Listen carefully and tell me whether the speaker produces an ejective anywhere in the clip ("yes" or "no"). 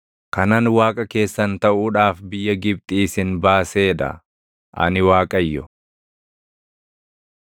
yes